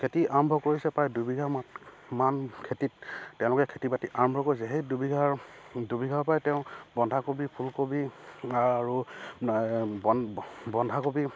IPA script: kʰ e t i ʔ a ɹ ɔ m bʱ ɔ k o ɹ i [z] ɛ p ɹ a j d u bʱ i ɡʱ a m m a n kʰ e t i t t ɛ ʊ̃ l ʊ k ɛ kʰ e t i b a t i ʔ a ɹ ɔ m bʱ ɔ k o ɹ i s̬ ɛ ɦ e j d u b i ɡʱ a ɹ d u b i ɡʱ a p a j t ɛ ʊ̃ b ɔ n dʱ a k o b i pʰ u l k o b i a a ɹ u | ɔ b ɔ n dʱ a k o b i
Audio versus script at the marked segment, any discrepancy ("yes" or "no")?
yes